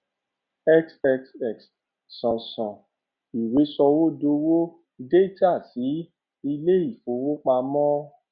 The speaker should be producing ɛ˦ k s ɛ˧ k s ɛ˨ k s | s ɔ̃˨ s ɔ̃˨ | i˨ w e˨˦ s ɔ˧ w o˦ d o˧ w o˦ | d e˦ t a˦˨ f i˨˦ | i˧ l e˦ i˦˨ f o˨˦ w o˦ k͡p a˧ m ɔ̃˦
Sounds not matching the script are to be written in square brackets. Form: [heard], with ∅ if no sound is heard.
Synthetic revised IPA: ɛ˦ k s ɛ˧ k s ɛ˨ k s | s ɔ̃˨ s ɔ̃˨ | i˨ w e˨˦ s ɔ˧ w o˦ d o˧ w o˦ | d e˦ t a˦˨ [s] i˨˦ | i˧ l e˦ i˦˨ f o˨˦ w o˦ k͡p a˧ m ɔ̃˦

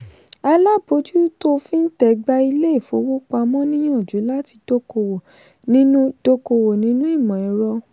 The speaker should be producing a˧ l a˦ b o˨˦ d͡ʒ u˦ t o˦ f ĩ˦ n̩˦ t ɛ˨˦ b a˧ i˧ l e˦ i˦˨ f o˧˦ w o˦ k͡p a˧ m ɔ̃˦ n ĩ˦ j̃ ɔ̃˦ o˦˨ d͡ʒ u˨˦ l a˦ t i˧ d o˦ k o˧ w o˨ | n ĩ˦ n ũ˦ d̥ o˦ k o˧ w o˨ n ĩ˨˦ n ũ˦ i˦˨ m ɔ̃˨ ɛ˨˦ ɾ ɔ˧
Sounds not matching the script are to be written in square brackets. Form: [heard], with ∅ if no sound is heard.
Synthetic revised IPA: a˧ l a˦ b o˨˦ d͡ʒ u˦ t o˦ f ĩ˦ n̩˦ t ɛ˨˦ [ɡ͡b] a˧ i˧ l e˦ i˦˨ f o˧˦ w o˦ k͡p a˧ m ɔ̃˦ n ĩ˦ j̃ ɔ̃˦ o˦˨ d͡ʒ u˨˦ l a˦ t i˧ d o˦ k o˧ w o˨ | n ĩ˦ n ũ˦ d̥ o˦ k o˧ w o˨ n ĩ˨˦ n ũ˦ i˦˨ m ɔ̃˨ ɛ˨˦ ɾ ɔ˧

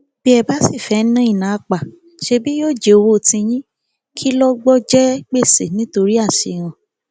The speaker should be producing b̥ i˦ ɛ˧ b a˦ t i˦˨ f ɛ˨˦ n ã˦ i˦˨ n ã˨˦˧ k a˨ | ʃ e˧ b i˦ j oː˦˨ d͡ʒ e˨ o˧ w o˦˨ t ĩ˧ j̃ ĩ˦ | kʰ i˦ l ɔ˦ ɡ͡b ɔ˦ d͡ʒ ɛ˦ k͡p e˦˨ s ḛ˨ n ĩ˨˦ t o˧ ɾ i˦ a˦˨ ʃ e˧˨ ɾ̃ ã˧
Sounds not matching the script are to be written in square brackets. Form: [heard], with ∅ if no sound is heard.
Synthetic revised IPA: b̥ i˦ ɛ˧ b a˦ [s] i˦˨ f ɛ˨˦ n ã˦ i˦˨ n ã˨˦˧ [k͡p] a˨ | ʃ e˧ b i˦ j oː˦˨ d͡ʒ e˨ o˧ w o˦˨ t ĩ˧ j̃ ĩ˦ | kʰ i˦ l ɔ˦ ɡ͡b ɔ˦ d͡ʒ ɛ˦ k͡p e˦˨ s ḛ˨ n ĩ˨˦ t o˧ ɾ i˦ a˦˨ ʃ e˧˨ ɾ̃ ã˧

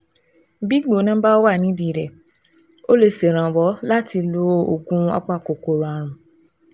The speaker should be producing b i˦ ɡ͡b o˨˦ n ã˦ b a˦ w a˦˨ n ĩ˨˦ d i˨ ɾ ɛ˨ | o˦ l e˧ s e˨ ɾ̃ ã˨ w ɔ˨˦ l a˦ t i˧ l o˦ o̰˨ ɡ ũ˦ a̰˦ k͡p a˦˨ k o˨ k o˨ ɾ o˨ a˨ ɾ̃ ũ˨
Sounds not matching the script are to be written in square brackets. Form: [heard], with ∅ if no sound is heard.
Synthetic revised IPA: b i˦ ɡ͡b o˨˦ n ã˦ b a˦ w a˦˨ n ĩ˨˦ d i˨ ɾ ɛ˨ | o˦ l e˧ s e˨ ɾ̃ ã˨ w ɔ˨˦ l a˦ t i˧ l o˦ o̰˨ ɡ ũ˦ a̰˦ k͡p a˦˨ k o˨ k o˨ ɾ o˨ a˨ ɾ̃ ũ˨

